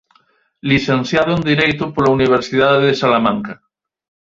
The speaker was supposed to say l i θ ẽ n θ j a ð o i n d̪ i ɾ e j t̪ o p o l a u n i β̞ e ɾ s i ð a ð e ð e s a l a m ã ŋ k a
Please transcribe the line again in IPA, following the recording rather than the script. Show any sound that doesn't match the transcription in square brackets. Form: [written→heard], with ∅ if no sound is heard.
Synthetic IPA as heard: l i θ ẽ n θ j a ð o [i→e] n d̪ i ɾ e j t̪ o p o l a u n i β̞ e ɾ s i ð a ð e ð e s a l a m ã ŋ k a